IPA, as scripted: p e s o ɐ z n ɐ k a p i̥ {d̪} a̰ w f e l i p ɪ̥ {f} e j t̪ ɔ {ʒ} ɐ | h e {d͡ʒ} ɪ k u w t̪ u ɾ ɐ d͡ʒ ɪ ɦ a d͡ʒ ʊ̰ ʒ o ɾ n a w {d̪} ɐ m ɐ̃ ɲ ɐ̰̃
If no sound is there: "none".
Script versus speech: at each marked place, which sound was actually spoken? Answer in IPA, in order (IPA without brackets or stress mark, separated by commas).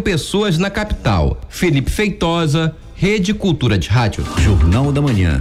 t̪, f, z, d͡ʒ, d̪